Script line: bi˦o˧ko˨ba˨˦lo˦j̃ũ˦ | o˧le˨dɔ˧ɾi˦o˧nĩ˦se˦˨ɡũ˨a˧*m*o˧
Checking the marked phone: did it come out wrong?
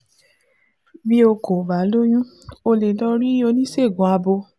yes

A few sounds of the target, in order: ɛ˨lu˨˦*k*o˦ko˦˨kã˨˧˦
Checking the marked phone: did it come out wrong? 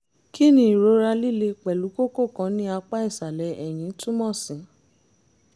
no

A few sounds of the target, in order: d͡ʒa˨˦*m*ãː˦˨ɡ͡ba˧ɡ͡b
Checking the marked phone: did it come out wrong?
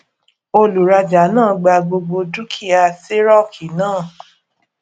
yes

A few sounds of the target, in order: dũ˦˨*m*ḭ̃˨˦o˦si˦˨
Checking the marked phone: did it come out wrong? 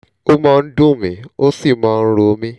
no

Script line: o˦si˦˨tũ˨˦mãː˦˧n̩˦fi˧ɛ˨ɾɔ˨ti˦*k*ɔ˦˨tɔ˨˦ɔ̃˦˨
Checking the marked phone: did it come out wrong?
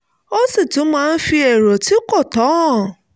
no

